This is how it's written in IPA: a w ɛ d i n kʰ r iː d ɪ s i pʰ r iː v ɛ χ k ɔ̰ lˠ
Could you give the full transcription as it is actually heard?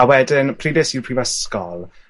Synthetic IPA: a w ɛ d ɪ n pʰ r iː d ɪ s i pʰ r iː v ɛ s k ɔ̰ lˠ

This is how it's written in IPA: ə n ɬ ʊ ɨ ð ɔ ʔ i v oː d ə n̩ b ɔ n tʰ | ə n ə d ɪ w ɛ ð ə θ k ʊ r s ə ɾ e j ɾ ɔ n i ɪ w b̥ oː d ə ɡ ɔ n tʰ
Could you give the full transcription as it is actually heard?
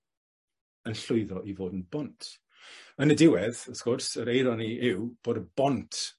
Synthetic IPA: ə n ɬ ʊ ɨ ð ɔ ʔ i v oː d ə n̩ b ɔ n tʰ | ə n ə d ɪ w ɛ ð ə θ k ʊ r s ə ɾ e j ɾ ɔ n i ɪ w b̥ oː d ə b ɔ n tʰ

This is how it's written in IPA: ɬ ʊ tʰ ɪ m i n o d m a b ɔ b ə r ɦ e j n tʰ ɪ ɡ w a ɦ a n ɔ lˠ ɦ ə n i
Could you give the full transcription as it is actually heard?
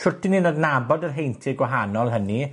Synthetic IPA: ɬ ʊ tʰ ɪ n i n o d n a b ɔ d ə r ɦ e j n tʰ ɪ ɡ w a ɦ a n ɔ lˠ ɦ ə n i

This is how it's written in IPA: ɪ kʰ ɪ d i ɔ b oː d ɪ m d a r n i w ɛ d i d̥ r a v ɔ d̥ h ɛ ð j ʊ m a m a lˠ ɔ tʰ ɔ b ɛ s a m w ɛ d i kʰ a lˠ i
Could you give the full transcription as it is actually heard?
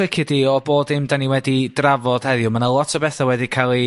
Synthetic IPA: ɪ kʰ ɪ d i ɔ b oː d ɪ m d a n i w ɛ d i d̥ r a v ɔ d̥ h ɛ ð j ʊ m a n a lˠ ɔ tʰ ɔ b ɛ θ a w ɛ d i kʰ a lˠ i

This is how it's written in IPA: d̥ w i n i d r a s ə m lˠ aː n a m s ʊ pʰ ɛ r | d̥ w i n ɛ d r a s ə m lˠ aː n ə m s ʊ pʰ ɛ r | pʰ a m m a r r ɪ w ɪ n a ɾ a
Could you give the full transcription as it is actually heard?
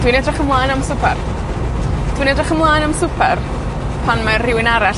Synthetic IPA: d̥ w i n ɛ d r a χ ə m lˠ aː n a m s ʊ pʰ ɛ r | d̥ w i n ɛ d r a χ ə m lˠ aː n a m s ʊ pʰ ɛ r | pʰ a n m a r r ɪ w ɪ n a ɾ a

